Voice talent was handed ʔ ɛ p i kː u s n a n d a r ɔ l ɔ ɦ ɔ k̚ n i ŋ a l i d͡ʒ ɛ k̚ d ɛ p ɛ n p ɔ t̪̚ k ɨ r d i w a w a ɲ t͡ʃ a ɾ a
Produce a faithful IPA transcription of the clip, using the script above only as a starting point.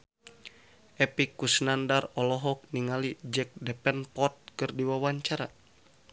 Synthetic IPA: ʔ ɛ p i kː u s n a n d a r ɔ l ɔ ɦ ɔ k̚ n i ŋ a l i d͡ʒ ɛ k̚ d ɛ p ɛ n p ɔ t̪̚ k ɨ r d i w a w a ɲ t͡ʃ a ɾ a